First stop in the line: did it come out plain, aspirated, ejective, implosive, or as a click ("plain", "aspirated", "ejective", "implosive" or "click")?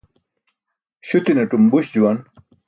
plain